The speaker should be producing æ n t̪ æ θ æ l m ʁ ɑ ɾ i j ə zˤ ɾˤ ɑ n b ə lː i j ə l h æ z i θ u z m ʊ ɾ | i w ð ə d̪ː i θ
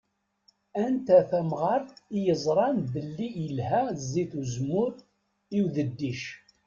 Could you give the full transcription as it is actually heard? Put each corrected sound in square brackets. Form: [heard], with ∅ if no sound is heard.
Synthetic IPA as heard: æ n t̪ æ θ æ [∅] m ʁ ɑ ɾ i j ə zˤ ɾˤ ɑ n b ə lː i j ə l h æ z i θ u z m ʊ ɾ | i w ð ə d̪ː i [ʃ]